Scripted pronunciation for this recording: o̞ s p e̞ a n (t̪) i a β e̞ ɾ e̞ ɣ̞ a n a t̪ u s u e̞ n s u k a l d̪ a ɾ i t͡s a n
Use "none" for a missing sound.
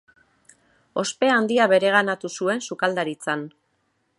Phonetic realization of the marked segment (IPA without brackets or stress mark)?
d̪